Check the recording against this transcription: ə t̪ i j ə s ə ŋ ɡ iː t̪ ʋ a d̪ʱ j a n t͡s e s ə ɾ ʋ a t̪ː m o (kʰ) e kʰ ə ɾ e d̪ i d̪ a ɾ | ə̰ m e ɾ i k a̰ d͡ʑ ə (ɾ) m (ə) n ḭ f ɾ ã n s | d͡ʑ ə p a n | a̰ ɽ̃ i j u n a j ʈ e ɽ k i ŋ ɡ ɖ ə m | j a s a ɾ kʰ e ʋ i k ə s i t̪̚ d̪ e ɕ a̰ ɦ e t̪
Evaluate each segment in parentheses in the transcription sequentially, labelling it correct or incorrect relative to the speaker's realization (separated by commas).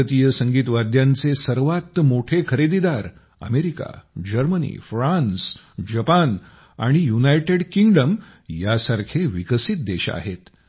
incorrect, correct, correct